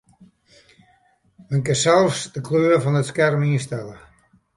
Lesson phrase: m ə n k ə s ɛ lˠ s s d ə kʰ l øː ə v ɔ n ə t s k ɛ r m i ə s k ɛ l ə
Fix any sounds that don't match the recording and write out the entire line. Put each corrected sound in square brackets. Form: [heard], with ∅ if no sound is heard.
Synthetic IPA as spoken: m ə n k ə s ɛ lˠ [f] s d ə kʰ l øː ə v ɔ n ə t s k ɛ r m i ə s [t] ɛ l ə

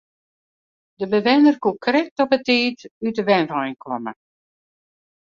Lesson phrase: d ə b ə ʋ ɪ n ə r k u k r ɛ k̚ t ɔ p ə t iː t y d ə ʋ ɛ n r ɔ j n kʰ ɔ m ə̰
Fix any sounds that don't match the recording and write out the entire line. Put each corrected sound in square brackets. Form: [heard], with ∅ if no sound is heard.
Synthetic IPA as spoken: d ə b ə ʋ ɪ n ə r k u k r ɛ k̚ t ɔ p ə t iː t y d ə ʋ ɛ n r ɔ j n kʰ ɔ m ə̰

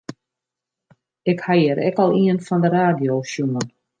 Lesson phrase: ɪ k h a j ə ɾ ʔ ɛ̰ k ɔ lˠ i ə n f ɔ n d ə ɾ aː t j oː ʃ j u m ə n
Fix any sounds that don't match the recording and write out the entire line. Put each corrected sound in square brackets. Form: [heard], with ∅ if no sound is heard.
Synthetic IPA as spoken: ɪ k h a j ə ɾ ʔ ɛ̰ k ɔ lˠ i ə n f ɔ n d ə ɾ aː [d] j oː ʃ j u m ə n

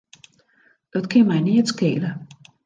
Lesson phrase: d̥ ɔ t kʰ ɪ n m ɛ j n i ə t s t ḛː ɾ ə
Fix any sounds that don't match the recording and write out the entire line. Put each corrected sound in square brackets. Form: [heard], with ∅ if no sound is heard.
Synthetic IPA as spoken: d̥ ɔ t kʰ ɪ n m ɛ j n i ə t s [k] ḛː [l] ə

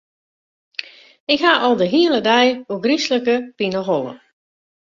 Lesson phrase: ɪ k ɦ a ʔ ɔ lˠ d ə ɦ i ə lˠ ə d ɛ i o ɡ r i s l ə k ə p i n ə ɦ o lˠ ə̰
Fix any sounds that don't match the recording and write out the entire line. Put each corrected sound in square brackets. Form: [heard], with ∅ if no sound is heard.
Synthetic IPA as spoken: ɪ k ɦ a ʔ ɔ lˠ d ə ɦ i ə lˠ ə d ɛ [j] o ɡ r i s l ə k ə p i n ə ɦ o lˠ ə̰

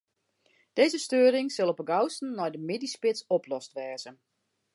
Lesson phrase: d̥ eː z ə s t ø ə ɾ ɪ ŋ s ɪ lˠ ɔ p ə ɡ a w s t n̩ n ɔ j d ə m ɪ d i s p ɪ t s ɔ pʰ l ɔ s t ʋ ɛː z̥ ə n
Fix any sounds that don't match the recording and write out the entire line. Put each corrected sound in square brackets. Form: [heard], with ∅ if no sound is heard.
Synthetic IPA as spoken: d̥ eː z ə s t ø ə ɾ ɪ ŋ s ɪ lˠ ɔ p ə ɡ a w s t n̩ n ɔ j d ə m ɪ d i s p ɪ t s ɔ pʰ l ɔ s t ʋ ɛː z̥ ə n

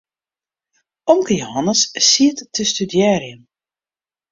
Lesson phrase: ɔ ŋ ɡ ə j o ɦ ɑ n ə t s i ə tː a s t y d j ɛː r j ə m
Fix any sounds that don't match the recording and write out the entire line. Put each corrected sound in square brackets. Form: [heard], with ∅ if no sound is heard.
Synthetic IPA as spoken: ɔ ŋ [k] ə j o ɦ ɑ n ə [s] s i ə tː [ə] s t y d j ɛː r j ə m

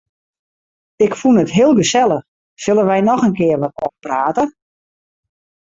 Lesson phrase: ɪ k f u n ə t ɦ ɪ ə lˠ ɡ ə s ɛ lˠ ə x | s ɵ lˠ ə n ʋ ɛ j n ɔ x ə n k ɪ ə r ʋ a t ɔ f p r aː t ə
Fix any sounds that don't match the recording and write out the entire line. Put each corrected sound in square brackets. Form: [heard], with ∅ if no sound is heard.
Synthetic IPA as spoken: ɪ k f u n ə t ɦ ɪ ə lˠ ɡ ə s ɛ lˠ ə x | s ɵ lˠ ə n ʋ ɛ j n ɔ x ə n k ɪ ə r ʋ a t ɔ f p r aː t ə

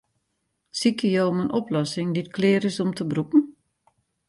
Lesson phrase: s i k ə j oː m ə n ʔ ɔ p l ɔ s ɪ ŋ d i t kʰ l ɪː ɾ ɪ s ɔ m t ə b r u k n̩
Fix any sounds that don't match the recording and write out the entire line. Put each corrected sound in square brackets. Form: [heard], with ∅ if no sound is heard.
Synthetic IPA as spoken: s i k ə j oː m ə n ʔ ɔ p l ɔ s ɪ ŋ d i t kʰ l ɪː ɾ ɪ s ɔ m t ə b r u [p] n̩

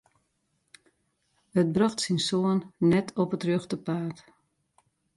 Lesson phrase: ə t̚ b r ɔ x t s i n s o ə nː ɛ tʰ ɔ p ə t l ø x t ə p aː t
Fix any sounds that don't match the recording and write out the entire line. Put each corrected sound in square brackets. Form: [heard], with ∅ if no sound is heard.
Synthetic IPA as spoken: ə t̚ b r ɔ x t s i n s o ə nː ɛ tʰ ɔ p ə t [r] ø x t ə p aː t

